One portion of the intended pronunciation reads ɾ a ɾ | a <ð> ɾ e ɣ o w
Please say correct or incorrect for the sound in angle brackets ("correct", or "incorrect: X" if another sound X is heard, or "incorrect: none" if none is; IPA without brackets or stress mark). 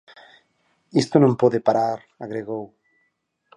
incorrect: ɣ